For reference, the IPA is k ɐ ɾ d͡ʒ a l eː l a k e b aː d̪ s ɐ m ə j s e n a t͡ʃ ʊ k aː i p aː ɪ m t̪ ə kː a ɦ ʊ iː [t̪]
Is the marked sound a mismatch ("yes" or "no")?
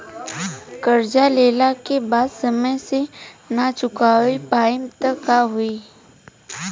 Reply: yes